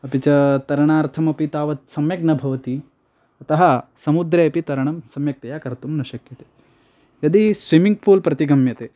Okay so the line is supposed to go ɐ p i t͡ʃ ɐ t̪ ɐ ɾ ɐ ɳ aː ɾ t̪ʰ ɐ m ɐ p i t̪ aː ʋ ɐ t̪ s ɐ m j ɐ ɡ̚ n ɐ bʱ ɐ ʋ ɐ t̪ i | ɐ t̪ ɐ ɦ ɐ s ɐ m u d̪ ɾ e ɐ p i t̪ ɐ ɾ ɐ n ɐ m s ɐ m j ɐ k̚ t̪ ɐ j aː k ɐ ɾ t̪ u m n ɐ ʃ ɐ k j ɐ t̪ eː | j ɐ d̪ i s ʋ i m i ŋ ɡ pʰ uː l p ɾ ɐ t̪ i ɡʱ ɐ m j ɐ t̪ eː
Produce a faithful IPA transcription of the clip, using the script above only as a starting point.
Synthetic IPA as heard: ɐ p i t͡ʃ ɐ t̪ ɐ ɾ ɐ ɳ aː ɾ t̪ʰ ɐ m ɐ p i t̪ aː ʋ ɐ t̪ s ɐ m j ɐ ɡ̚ n ɐ bʱ ɐ ʋ ɐ t̪ i | ɐ t̪ ɐ ɦ ɐ s ɐ m u d̪ ɾ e ɐ p i t̪ ɐ ɾ ɐ ɳ ɐ m s ɐ m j ɐ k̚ t̪ ɐ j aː k ɐ ɾ t̪ u m n ɐ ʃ ɐ k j ɐ t̪ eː | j ɐ d̪ i s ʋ i m i ŋ ɡ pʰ uː l p ɾ ɐ t̪ i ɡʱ ɐ m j ɐ t̪ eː